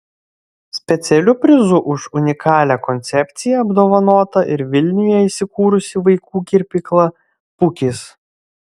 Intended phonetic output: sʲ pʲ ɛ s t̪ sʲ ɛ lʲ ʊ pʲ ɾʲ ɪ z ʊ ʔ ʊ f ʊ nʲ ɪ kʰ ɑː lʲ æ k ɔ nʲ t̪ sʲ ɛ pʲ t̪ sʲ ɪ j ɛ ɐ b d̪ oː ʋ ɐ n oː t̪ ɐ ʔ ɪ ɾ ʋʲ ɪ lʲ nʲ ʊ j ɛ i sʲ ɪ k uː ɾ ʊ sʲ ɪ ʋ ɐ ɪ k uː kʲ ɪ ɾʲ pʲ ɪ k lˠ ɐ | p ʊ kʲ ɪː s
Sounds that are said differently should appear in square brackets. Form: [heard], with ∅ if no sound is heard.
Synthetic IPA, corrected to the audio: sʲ pʲ ɛ [∅] t̪ sʲ ɛ lʲ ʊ pʲ ɾʲ ɪ z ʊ ʔ ʊ [ʃ] ʊ nʲ ɪ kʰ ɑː lʲ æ k ɔ nʲ t̪ sʲ ɛ pʲ t̪ sʲ ɪ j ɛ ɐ b d̪ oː ʋ ɐ n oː t̪ ɐ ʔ ɪ ɾ ʋʲ ɪ lʲ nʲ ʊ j ɛ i sʲ ɪ k uː ɾ ʊ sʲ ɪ ʋ ɐ ɪ k uː kʲ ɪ ɾʲ pʲ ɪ k lˠ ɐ | p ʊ kʲ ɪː s